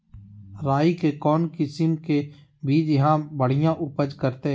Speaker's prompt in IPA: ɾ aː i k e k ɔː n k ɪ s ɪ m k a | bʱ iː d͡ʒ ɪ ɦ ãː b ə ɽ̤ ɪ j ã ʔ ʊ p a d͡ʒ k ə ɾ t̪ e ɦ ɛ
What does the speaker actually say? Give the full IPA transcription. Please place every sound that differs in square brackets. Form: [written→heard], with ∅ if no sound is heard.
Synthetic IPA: ɾ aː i k e k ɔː n k ɪ s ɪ m k [a→e] | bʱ iː d͡ʒ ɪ ɦ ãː b ə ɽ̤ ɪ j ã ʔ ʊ p [a→ə] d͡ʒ k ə ɾ t̪ e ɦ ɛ

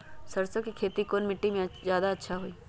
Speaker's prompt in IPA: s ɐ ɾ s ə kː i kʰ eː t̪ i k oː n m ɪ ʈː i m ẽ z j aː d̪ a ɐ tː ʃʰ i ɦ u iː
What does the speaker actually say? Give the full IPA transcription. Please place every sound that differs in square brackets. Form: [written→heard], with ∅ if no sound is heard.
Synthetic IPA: s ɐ ɾ s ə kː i kʰ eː t̪ i k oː n m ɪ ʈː i m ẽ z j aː d̪ a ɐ tː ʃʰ [i→a] ɦ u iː

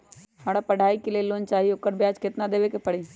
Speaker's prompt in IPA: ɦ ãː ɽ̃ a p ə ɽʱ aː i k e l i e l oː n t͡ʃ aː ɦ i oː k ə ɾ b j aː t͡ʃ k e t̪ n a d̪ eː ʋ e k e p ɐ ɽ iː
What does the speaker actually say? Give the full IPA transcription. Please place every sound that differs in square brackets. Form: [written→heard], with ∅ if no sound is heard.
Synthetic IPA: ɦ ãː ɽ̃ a p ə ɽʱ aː i k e l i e l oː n t͡ʃ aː ɦ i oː k ə ɾ b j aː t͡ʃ k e t̪ n a d̪ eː ʋ e k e p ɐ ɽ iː

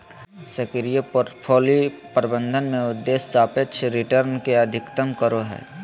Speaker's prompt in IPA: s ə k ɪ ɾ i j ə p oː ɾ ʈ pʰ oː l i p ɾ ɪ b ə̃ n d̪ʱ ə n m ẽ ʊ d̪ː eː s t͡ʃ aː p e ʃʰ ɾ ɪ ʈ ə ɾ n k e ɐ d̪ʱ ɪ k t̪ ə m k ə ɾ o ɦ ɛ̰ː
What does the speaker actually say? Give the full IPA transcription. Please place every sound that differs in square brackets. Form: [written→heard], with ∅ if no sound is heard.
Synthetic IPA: s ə k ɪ ɾ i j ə p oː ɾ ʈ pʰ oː l i p ɾ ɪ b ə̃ n d̪ʱ ə n m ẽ ʊ d̪ː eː s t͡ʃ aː p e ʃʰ ɾ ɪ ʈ ə ɾ n k e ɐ d̪ʱ ɪ k t̪ ə m k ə ɾ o ɦ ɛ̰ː

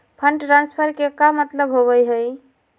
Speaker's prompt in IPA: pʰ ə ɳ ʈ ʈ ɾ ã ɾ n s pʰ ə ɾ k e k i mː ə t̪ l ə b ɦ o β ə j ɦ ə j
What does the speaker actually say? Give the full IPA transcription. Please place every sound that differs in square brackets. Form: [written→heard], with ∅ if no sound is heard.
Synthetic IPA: pʰ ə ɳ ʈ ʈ ɾ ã [ɾ→∅] n s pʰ ə ɾ k e k [i→a] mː ə t̪ l ə b ɦ o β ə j ɦ ə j

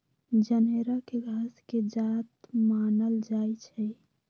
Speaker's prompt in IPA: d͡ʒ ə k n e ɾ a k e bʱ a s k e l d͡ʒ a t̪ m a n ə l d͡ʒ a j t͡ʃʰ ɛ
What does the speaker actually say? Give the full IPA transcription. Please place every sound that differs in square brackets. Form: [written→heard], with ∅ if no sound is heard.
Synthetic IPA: d͡ʒ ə [k→∅] n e ɾ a k e [bʱ→ɡʱ] a s k e [l→∅] d͡ʒ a t̪ m a n ə l d͡ʒ a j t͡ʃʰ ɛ

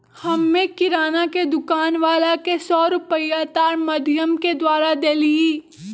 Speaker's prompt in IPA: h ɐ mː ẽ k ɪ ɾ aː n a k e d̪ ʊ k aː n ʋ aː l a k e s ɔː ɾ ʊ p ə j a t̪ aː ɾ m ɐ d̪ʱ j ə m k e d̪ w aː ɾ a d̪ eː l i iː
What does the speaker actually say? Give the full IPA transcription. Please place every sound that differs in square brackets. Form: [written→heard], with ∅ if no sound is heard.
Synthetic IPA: h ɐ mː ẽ k ɪ ɾ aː n a k e d̪ ʊ k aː n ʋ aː l a k e s ɔː ɾ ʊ p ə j a t̪ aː ɾ m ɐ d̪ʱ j ə m k e d̪ w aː ɾ a d̪ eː l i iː

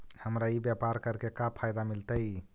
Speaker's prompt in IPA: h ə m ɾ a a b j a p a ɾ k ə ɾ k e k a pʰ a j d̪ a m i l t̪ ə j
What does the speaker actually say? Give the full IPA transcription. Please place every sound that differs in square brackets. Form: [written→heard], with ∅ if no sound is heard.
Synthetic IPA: h ə m ɾ a [a→i] b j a p a ɾ k ə ɾ k e k a pʰ a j d̪ a m i l t̪ ə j

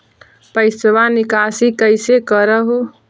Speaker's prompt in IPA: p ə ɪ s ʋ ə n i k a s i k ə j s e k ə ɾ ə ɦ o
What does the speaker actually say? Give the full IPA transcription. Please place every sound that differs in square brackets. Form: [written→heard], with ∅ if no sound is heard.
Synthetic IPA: p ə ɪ s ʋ [ə→a] n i k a s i k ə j s e k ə ɾ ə ɦ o

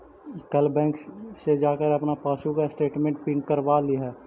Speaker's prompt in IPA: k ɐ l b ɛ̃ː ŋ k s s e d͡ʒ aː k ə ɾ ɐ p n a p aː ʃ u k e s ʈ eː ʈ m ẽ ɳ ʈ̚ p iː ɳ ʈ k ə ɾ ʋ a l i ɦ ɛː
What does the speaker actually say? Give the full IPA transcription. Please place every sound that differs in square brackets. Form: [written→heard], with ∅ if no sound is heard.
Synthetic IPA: k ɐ l b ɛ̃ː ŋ k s s e d͡ʒ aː k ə ɾ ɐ p n a p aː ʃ u k [e→a] s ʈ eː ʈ m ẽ ɳ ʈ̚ p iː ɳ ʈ k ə ɾ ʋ a l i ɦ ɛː

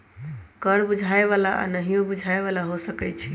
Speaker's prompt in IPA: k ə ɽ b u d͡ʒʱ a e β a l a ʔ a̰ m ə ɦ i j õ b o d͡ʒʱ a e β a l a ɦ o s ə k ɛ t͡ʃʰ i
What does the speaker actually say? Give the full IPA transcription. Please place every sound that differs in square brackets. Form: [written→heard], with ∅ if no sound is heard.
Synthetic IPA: k ə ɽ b u d͡ʒʱ a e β a l a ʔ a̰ [m→n] ə ɦ i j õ b [o→u] d͡ʒʱ a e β a l a ɦ o s ə k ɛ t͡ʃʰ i

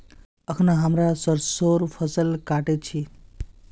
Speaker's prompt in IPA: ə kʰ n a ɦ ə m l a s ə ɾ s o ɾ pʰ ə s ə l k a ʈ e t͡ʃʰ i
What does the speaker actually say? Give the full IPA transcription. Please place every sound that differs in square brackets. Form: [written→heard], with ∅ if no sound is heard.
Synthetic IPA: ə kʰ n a ɦ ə m [l→ɾ] a s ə ɾ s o ɾ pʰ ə s ə l k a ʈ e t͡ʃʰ i

